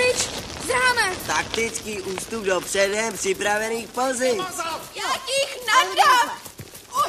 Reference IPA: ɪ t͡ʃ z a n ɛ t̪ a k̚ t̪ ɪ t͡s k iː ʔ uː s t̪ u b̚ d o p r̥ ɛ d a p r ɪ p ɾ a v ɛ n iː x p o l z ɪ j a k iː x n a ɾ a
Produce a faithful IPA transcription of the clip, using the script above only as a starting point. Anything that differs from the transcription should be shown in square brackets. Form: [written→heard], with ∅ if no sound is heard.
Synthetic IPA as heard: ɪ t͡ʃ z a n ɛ t̪ a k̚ t̪ ɪ t͡s k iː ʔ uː s t̪ u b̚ d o p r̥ ɛ d [a→ɛ] p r ɪ p ɾ a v ɛ n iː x p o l z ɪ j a k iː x n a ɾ a